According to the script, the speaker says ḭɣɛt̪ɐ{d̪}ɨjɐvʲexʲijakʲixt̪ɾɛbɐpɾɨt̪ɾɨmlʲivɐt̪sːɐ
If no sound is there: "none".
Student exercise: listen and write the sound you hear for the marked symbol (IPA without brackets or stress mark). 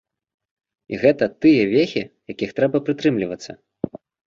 t̪